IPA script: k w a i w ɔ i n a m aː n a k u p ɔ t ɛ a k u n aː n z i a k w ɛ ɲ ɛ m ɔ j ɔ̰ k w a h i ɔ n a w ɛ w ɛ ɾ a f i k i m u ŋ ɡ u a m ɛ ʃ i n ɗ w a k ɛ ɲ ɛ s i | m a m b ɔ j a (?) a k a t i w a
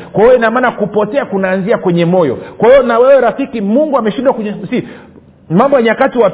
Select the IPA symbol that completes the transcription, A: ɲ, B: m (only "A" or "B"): A